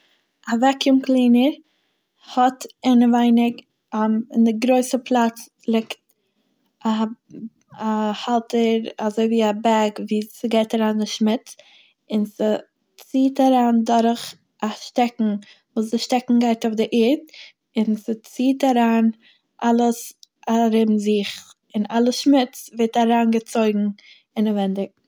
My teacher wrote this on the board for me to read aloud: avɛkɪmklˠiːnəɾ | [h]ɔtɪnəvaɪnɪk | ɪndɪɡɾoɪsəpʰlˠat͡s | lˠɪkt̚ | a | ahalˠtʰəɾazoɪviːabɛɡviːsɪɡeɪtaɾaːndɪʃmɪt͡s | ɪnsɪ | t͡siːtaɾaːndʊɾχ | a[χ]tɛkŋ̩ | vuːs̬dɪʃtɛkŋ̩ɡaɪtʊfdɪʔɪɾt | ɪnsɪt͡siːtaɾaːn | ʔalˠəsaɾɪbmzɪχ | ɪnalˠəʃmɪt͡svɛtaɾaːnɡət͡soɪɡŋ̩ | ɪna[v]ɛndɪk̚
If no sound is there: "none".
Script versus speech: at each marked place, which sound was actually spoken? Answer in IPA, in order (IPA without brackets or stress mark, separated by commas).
h, ʃ, v